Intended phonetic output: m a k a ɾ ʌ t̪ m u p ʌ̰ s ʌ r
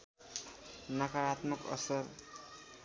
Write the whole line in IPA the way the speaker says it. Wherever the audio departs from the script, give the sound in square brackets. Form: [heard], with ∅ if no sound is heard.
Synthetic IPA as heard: [n] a k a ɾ [a] t̪ m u [k] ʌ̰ s ʌ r